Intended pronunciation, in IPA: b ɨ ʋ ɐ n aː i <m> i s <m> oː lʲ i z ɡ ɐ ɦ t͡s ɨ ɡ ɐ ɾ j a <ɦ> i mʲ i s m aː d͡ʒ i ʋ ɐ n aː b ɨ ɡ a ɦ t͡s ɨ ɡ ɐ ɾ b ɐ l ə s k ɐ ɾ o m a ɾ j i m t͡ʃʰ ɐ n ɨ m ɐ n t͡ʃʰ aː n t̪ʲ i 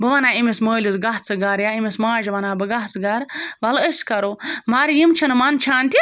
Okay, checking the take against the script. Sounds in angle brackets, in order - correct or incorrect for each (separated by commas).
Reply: correct, correct, incorrect